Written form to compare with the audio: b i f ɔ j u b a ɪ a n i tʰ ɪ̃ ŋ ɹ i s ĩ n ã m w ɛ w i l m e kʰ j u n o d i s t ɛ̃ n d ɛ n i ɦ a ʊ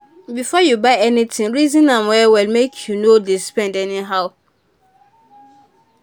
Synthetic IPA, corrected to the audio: b i f ɔ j u b a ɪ ɛ n i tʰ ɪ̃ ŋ ɹ i z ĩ n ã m w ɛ w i l m e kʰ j u n o d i s p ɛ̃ n d ɛ n i ɦ a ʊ